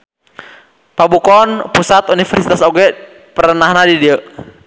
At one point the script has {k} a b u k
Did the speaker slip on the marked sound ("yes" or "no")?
yes